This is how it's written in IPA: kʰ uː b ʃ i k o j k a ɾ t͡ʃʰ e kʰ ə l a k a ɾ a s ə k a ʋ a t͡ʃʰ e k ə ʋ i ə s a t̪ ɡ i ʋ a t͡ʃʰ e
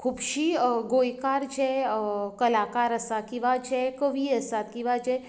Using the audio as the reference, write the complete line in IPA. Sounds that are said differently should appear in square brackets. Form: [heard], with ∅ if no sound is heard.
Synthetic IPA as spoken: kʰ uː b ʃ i [ɡ] o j k a ɾ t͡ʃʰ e [k] ə l a k a ɾ [ə] s [a] k [i] ʋ a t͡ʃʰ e k ə ʋ i ə s a t̪ [k] i ʋ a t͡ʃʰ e